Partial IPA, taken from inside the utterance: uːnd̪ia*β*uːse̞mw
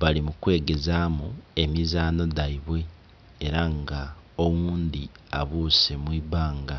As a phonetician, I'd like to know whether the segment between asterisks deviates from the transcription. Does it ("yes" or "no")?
no